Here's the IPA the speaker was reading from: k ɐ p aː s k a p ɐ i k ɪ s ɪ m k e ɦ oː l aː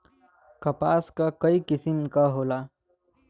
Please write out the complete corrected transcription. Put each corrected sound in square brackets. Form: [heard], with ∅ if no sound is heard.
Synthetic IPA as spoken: k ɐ p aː s k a [k] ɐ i k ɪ s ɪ m k [a] ɦ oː l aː